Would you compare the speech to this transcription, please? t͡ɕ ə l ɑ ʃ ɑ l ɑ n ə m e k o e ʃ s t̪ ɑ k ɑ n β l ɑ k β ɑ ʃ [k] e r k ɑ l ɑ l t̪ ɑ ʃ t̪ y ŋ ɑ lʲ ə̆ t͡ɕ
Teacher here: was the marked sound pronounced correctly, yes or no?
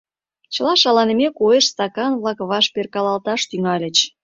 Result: no